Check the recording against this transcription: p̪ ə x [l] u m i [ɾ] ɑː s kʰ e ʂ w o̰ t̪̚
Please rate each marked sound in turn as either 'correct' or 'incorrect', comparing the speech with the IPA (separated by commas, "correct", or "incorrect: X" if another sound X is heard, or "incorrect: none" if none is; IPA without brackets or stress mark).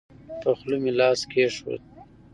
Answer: correct, incorrect: l